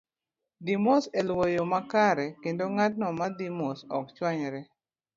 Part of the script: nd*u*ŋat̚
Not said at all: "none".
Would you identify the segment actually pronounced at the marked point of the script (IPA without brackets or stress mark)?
o